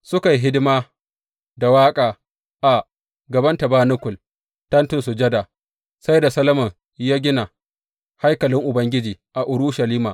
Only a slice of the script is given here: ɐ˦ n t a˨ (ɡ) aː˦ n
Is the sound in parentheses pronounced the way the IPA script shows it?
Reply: no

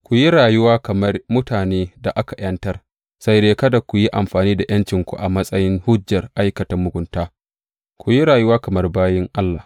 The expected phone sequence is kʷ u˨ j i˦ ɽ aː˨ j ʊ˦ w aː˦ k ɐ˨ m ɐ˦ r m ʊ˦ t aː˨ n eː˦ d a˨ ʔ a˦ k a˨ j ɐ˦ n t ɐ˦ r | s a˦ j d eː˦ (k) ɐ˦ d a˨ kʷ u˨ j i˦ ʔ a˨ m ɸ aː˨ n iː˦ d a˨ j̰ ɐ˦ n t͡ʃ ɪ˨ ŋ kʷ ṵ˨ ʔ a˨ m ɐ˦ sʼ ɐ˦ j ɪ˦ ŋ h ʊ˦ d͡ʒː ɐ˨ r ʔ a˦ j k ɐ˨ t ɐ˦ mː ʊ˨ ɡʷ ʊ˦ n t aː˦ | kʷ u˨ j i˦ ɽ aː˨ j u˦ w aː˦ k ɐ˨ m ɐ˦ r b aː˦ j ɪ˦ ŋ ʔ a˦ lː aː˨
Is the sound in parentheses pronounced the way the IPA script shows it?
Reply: yes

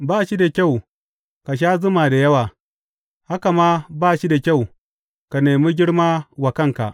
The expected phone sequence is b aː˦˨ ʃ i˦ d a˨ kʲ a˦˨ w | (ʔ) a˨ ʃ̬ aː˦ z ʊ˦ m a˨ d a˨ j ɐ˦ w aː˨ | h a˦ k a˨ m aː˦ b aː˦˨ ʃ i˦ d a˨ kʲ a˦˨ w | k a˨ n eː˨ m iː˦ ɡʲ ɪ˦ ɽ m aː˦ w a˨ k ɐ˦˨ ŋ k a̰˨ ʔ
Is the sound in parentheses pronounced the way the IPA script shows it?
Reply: no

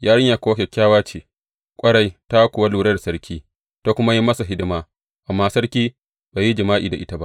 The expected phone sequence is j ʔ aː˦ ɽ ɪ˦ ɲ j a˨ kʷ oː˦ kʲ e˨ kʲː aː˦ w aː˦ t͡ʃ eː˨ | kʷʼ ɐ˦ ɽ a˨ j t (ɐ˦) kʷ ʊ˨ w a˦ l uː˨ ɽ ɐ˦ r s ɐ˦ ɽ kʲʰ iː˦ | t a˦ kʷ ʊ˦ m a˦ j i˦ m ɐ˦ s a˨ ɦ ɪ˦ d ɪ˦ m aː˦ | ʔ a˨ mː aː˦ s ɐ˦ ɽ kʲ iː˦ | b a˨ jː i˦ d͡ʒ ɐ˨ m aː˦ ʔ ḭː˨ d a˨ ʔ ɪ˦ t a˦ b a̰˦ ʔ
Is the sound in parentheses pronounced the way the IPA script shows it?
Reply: no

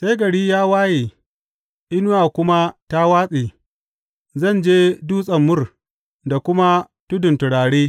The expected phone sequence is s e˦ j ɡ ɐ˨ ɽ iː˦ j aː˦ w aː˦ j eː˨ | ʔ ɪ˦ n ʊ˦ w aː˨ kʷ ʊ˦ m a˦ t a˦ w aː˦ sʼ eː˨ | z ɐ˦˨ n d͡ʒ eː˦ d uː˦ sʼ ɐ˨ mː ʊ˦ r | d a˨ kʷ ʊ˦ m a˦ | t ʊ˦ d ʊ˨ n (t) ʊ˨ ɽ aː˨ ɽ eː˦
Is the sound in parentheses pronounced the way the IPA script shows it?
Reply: yes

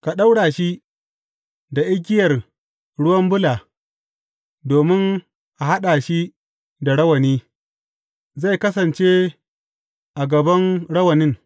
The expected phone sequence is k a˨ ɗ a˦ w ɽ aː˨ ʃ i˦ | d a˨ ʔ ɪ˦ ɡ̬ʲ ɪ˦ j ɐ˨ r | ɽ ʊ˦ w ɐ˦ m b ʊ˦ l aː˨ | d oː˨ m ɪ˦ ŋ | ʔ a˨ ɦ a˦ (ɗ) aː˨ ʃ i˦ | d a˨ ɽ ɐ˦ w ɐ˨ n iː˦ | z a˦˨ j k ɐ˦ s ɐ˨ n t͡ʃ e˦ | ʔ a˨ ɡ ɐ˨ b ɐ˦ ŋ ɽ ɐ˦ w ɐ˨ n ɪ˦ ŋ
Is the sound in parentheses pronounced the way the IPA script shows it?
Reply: yes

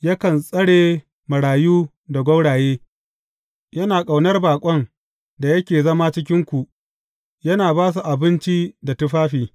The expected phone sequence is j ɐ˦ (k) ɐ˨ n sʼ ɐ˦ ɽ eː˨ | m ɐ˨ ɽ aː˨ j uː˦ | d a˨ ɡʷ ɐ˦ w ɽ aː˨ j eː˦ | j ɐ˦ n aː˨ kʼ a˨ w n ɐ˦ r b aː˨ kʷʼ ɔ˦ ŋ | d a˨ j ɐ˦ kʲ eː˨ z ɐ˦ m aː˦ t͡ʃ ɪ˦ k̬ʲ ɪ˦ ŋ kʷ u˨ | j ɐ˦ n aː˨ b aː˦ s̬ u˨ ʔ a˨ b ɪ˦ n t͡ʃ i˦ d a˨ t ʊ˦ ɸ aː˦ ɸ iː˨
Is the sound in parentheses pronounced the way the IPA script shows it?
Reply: yes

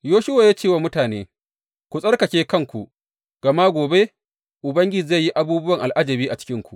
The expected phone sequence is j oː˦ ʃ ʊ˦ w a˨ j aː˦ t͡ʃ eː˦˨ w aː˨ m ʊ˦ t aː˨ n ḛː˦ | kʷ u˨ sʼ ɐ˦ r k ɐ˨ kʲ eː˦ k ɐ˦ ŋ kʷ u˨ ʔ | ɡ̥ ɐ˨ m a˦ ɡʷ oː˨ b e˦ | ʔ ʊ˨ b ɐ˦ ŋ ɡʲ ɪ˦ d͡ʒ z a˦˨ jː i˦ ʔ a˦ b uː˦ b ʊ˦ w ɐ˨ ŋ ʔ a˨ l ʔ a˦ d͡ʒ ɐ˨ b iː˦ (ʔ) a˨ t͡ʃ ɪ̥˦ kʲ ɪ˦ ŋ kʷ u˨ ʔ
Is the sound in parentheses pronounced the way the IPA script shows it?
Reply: yes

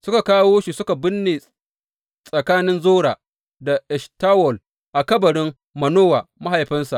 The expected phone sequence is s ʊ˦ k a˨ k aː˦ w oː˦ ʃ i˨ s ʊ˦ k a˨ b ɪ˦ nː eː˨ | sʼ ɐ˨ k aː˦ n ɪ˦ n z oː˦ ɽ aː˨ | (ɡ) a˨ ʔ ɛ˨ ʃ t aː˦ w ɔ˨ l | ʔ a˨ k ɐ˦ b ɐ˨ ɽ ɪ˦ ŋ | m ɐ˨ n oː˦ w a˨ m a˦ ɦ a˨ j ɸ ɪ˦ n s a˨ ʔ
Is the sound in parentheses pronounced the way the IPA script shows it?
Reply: no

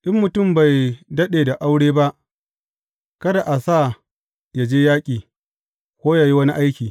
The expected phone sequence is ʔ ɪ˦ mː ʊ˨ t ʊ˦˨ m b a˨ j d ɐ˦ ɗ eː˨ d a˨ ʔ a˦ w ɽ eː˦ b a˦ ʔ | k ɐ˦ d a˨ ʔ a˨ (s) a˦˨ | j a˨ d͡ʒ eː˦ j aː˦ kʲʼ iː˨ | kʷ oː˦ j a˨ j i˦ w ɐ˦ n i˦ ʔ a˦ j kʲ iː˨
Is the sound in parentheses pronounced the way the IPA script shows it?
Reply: yes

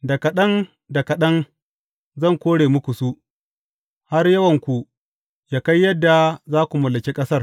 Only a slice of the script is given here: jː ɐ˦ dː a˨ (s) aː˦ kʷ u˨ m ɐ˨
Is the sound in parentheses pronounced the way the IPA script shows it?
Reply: no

